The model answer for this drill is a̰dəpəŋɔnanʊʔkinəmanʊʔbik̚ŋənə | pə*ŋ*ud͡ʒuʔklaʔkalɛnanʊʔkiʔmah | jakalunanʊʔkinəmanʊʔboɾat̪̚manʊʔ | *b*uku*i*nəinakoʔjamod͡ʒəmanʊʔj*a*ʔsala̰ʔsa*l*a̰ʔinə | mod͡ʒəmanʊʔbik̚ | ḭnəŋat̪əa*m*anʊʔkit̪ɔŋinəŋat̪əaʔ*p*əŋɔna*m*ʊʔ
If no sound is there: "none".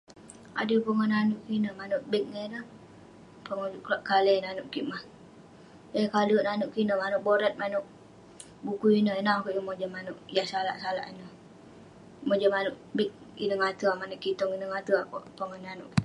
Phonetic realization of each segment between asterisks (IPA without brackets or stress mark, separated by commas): ŋ, b, i, a, l, m, p, n